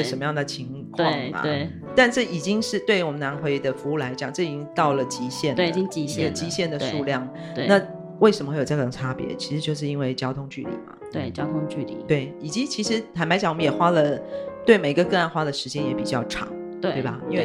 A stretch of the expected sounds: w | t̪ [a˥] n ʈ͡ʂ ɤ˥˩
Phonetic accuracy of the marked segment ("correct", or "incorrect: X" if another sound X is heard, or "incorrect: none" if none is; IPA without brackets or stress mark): incorrect: a˥˧